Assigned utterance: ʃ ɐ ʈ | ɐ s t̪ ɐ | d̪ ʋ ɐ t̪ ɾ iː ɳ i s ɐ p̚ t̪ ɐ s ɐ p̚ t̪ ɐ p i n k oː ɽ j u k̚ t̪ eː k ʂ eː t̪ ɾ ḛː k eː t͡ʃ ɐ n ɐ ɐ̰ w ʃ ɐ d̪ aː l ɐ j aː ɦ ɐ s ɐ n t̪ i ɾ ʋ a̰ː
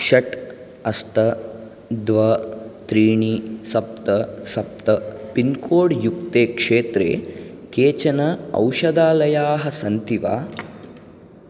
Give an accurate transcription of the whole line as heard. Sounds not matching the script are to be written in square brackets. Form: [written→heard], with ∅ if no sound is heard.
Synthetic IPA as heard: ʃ ɐ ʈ | ɐ s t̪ ɐ | d̪ ʋ ɐ t̪ ɾ iː ɳ i s ɐ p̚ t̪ ɐ s ɐ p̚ t̪ ɐ p i n k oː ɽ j u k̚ t̪ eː k ʂ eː t̪ ɾ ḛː k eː t͡ʃ ɐ n ɐ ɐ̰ w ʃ ɐ d̪ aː l ɐ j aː ɦ ɐ s ɐ n t̪ i [ɾ→∅] ʋ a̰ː